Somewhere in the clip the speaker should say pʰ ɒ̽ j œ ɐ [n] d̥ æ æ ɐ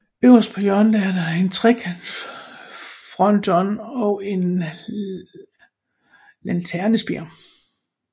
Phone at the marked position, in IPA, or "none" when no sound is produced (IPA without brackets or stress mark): n